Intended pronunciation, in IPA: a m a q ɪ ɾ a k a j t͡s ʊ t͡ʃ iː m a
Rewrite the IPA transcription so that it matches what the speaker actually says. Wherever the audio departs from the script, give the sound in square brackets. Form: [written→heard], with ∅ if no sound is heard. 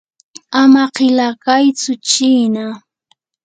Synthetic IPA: a m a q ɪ [ɾ→l] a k a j t͡s ʊ t͡ʃ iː [m→n] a